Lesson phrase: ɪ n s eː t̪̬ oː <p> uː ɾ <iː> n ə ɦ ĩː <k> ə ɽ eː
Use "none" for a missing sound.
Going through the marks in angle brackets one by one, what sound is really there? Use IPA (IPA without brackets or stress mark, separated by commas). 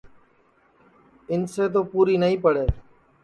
p, iː, p